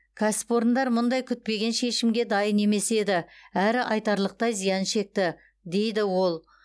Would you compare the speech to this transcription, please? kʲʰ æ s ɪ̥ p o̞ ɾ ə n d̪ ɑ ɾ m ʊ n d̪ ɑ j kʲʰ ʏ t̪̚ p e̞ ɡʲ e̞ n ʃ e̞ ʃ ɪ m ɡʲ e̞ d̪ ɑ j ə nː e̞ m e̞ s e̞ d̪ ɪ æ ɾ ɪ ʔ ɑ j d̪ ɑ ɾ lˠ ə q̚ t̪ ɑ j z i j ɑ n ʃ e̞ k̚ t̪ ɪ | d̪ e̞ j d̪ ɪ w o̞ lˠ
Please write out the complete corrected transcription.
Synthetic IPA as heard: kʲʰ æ s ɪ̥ p o̞ ɾ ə n d̪ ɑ ɾ m ʊ n d̪ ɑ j kʲʰ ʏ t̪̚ p e̞ ɡʲ e̞ n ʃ e̞ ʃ ɪ m ɡʲ e̞ d̪ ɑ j ə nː e̞ m e̞ s e̞ d̪ ɪ æ ɾ ɪ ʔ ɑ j t̪ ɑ ɾ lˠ ə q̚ t̪ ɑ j z i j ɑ n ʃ e̞ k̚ t̪ ɪ | d̪ e̞ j d̪ ɪ w o̞ lˠ

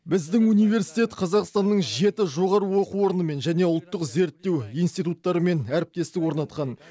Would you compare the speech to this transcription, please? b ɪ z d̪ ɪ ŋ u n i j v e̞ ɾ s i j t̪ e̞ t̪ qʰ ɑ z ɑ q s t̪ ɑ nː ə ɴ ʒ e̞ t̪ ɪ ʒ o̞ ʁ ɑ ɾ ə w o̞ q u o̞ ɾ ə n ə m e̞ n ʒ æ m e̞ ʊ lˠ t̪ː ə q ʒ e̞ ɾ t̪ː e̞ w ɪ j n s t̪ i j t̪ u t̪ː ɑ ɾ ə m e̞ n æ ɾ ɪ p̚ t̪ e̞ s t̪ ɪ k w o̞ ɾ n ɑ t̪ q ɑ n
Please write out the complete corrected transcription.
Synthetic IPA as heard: b ɪ z d̪ ɪ ŋ u n i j v e̞ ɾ s i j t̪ e̞ t̪ qʰ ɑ z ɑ q s t̪ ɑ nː ə ɴ ʒ e̞ t̪ ɪ ʒ o̞ ʁ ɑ ɾ ə w o̞ q u o̞ ɾ ə n ə m e̞ n ʒ æ n e̞ ʊ lˠ t̪ː ə q z e̞ ɾ t̪ː e̞ w i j n s t̪ i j t̪ u t̪ː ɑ ɾ ə m e̞ n æ ɾ ɪ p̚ t̪ e̞ s t̪ ɪ k w o̞ ɾ n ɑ t̪ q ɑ n

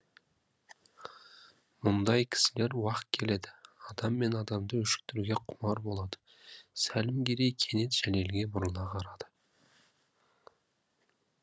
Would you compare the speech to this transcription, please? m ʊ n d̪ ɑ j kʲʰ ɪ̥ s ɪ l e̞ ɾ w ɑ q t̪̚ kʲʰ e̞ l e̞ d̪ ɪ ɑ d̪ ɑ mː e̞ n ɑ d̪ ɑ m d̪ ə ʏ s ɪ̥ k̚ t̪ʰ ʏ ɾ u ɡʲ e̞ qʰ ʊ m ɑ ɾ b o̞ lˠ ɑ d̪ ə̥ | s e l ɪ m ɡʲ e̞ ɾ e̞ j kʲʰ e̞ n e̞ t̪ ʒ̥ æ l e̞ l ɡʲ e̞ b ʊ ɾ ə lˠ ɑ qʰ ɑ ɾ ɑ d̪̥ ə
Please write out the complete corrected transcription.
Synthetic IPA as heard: m ʊ n d̪ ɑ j kʲʰ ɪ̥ s ɪ l e̞ ɾ w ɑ q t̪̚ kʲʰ e̞ l e̞ d̪ ɪ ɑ d̪ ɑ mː e̞ n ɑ d̪ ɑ m d̪ ə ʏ ʃ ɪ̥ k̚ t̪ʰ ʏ ɾ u ɡʲ e̞ qʰ ʊ m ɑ ɾ b o̞ lˠ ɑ d̪ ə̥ | s æ l ɪ m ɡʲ e̞ ɾ e̞ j kʲʰ e̞ n e̞ t̪ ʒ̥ æ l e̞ l ɡʲ e̞ b ʊ ɾ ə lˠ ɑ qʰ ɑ ɾ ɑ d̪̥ ə

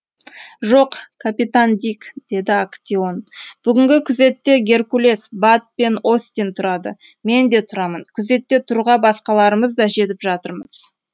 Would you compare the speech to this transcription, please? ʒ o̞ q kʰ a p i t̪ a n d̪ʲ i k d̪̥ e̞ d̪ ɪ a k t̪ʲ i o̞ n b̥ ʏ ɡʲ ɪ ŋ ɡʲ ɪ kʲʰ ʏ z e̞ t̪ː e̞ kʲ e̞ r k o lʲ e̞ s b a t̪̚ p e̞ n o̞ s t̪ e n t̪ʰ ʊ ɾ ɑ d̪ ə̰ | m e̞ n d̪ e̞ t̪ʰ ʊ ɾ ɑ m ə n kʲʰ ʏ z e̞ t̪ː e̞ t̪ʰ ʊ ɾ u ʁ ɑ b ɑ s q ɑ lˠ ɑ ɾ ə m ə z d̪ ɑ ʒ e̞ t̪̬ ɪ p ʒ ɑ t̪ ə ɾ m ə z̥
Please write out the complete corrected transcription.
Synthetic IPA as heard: ʒ o̞ q kʰ a p i t̪ a n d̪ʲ i k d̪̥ e̞ d̪ ɪ a k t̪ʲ i o̞ n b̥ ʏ ɡʲ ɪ ŋ ɡʲ ɪ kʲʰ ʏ z e̞ t̪ː e̞ ɡʲ e̞ r k u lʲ e̞ s b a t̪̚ p e̞ n o̞ s t̪ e n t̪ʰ ʊ ɾ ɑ d̪ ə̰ | m e̞ n d̪ e̞ t̪ʰ ʊ ɾ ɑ m ə n kʲʰ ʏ z e̞ t̪ː e̞ t̪ʰ ʊ ɾ u ʁ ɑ b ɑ s q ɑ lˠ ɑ ɾ ə m ə z d̪ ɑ ʒ e̞ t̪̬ ɪ p ʒ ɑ t̪ ə ɾ m ə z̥

